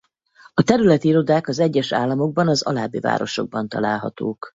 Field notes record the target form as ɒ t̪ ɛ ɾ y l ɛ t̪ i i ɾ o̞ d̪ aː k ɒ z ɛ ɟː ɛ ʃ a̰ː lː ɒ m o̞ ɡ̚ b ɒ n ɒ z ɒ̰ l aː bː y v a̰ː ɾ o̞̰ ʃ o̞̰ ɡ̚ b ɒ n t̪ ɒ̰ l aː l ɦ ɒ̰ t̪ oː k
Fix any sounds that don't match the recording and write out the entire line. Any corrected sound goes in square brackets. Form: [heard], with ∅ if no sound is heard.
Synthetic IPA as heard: ɒ t̪ ɛ ɾ y l ɛ t̪ i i ɾ o̞ d̪ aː k ɒ z ɛ ɟː ɛ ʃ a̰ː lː ɒ m o̞ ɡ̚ b ɒ n ɒ z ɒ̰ l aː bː [i] v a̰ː ɾ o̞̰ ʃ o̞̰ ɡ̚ b ɒ n t̪ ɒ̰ l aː l ɦ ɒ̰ t̪ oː k